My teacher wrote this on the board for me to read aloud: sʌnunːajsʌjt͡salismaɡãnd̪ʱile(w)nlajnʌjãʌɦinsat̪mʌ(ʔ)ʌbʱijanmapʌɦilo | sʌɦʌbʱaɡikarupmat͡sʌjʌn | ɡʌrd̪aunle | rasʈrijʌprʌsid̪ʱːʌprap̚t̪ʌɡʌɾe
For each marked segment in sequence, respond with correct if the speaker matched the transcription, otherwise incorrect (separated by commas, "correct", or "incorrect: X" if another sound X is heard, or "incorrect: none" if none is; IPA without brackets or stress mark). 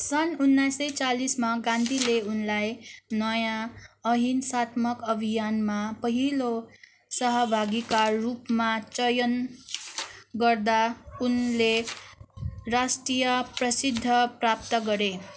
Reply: incorrect: u, incorrect: k